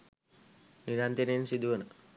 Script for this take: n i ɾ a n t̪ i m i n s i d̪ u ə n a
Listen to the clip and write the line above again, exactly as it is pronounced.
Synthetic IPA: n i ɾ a n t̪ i n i n s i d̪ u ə n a